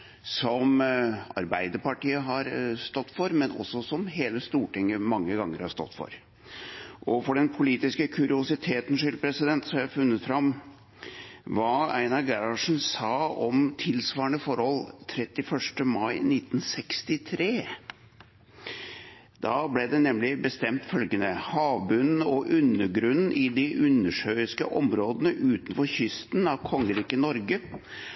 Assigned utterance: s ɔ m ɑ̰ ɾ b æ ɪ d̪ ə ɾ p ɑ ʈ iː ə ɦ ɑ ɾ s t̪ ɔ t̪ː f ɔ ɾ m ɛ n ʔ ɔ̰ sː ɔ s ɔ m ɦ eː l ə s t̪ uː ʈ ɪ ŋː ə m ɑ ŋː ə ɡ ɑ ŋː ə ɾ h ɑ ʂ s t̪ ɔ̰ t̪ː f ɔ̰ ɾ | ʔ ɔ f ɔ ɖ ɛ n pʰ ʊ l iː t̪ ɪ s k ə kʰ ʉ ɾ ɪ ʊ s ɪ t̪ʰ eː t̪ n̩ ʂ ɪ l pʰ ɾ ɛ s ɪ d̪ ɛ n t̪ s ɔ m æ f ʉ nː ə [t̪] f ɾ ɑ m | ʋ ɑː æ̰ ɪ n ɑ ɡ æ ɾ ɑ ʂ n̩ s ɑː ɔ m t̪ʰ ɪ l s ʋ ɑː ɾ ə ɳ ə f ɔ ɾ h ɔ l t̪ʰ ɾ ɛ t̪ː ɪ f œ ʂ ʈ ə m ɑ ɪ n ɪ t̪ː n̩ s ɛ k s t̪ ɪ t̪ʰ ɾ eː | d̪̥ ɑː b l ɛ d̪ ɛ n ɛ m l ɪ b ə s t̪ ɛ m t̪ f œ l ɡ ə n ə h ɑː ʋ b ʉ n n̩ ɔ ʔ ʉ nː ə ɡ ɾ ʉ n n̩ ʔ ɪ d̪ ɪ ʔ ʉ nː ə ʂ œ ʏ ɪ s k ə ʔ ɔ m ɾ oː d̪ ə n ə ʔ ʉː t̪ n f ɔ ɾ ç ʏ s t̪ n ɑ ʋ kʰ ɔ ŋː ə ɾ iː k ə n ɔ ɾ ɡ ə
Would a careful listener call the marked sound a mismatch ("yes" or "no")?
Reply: no